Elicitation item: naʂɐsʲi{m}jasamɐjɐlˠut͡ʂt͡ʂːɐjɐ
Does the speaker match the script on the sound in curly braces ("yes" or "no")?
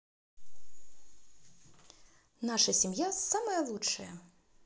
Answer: yes